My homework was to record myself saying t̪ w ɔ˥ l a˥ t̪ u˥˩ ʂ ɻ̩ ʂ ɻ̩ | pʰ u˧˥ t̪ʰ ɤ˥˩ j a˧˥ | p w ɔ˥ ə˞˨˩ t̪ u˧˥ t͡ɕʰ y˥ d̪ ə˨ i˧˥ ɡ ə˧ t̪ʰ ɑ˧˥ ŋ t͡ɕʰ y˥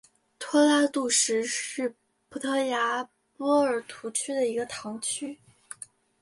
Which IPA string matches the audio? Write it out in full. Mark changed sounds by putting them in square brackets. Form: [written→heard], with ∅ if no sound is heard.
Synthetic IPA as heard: [t̪→t̪ʰ] w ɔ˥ l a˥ t̪ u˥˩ ʂ ɻ̩ ʂ ɻ̩ | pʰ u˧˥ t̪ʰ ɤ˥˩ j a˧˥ | p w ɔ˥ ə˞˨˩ [t̪→t̪ʰ] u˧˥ t͡ɕʰ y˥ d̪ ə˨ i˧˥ ɡ ə˧ t̪ʰ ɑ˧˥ ŋ t͡ɕʰ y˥